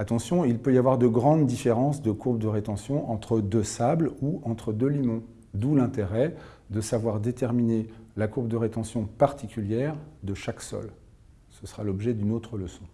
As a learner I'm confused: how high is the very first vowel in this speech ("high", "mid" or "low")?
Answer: low